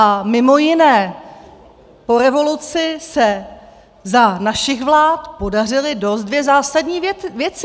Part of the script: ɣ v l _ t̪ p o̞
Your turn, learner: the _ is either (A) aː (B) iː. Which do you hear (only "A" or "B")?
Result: A